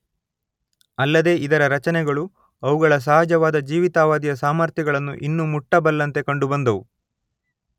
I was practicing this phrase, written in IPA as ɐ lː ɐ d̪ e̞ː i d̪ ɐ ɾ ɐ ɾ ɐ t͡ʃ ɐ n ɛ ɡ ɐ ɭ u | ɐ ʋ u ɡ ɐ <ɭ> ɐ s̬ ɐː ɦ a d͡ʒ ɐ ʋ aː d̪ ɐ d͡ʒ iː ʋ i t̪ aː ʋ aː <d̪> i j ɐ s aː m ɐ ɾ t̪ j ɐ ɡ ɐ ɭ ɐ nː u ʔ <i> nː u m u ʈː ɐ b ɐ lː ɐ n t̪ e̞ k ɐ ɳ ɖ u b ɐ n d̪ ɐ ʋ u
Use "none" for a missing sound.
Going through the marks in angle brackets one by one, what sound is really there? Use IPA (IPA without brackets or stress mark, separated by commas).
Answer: ɭ, d̪, i